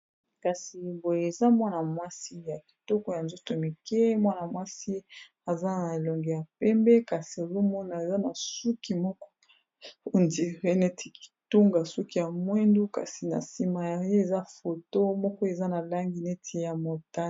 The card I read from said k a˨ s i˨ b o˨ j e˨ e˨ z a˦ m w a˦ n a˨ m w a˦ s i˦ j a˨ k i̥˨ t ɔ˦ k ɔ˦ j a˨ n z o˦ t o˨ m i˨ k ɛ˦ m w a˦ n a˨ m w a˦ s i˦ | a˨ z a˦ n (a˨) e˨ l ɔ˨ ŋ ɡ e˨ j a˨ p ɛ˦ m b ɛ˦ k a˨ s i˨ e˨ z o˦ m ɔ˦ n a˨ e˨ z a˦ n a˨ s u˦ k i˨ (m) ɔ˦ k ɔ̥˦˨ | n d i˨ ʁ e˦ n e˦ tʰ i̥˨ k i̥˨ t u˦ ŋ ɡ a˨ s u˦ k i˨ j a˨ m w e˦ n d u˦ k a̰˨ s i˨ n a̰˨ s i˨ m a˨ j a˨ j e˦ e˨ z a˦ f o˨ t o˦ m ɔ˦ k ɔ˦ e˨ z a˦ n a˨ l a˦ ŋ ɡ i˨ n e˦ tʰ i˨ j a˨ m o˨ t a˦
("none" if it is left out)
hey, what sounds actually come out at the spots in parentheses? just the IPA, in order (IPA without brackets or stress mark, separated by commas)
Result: a˨, m